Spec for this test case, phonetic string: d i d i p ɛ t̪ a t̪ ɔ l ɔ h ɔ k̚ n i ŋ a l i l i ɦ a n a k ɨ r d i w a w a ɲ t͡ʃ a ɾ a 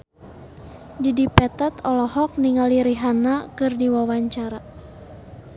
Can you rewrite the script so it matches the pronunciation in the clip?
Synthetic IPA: d i d i p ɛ t̪ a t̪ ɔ l ɔ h ɔ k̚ n i ŋ a l i ɾ i ɦ a n a k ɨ r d i w a w a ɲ t͡ʃ a ɾ a